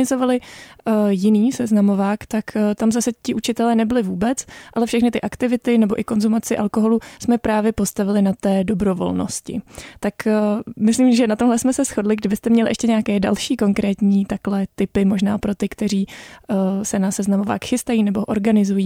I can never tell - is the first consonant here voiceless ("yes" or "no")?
no